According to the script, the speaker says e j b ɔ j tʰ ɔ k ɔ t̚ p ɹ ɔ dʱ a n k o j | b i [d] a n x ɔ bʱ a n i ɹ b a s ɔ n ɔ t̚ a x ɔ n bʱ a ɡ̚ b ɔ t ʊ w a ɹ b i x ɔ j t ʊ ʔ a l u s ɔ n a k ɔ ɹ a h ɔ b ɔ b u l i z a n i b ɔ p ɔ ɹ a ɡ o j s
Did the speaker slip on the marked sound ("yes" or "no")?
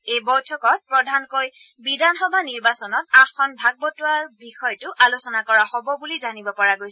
no